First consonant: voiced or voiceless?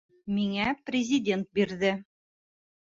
voiced